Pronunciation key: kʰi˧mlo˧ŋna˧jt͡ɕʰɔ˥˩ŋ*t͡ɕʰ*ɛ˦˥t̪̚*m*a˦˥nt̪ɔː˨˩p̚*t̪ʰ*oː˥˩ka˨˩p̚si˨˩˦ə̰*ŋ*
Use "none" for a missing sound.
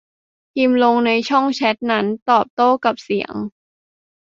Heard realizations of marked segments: t͡ɕʰ, n, t̪, ŋ

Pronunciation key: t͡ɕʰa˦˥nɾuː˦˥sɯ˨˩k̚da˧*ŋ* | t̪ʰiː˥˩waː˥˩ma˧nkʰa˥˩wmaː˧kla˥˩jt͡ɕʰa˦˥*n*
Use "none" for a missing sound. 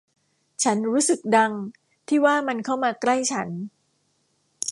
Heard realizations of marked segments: ŋ, n

